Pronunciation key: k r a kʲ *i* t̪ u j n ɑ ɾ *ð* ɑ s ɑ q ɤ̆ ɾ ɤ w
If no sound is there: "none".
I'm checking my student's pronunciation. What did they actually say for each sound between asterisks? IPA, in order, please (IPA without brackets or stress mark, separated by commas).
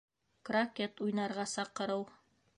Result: e, ʁ